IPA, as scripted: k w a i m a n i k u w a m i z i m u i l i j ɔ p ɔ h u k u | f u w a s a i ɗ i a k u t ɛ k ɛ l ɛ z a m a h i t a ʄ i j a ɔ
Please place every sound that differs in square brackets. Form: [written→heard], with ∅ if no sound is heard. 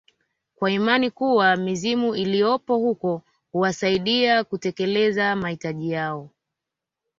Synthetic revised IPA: k w a i m a n i k u w a m i z i m u i l i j ɔ p ɔ h u k [u→ɔ] | [f→h] u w a s a i ɗ i a k u t ɛ k ɛ l ɛ z a m a h i t a ʄ i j a ɔ